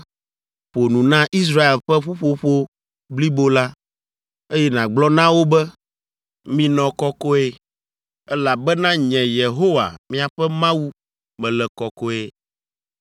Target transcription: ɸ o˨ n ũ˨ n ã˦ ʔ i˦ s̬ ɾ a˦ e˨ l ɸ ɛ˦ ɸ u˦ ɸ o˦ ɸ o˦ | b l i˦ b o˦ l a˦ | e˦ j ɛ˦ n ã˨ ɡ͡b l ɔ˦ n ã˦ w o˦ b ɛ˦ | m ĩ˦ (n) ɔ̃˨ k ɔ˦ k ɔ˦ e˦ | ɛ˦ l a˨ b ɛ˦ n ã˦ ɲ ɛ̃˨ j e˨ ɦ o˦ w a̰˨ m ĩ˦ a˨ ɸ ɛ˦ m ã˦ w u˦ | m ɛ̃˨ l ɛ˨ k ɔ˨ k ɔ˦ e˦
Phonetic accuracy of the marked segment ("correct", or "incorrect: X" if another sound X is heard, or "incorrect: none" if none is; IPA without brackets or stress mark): correct